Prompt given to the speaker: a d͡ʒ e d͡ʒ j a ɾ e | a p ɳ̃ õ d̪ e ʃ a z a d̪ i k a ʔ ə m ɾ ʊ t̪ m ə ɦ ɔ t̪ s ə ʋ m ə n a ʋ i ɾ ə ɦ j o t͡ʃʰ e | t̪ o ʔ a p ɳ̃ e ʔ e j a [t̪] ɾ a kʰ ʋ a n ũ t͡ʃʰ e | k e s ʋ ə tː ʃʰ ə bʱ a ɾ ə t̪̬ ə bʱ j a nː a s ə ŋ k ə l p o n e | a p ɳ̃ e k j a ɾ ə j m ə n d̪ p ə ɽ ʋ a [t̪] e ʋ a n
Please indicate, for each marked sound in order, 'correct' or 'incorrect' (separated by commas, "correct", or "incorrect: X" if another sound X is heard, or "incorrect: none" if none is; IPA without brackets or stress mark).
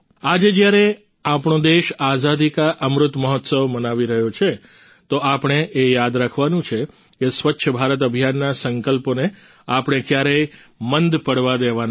incorrect: d̪, incorrect: d̪